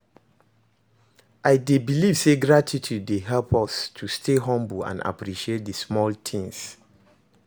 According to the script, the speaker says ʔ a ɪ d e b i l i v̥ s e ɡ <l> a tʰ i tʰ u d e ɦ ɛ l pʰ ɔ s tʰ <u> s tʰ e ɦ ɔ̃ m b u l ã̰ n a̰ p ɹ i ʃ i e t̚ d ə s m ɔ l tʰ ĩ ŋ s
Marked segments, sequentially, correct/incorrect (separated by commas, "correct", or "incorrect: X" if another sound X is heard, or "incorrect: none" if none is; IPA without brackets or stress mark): incorrect: ɹ, correct